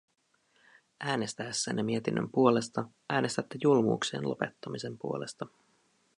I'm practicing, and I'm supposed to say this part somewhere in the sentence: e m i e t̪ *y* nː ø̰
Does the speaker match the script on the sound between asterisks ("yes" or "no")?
no